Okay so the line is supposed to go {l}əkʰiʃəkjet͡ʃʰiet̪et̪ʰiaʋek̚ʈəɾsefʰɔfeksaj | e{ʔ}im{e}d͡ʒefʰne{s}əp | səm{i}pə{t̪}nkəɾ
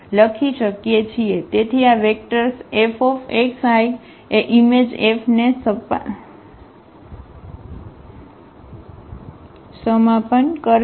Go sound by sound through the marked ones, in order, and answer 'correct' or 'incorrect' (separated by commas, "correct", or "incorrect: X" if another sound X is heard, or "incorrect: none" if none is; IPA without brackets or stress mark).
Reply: correct, correct, correct, correct, incorrect: a, incorrect: none